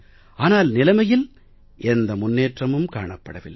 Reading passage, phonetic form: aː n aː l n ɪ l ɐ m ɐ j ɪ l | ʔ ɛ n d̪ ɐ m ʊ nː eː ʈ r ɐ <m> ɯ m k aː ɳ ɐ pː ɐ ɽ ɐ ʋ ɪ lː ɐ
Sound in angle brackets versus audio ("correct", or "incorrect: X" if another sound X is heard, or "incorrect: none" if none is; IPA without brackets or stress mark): correct